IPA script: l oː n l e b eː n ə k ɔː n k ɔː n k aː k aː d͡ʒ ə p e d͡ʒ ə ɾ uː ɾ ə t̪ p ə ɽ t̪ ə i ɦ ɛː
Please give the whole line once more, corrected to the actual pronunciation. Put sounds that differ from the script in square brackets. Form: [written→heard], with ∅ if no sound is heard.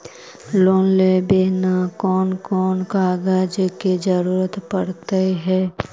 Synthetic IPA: l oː n l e b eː n [ə→a] k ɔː n k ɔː n k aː [k→ɡ] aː d͡ʒ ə [p→k] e d͡ʒ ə ɾ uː ɾ ə t̪ p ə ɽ t̪ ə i ɦ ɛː